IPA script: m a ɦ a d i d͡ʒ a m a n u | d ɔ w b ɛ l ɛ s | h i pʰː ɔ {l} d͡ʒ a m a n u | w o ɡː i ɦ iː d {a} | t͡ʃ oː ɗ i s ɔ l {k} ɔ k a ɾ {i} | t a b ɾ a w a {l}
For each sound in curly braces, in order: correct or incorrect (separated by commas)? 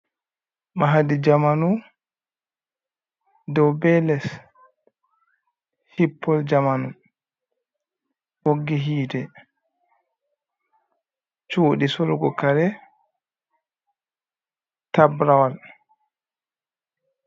correct, incorrect, incorrect, incorrect, correct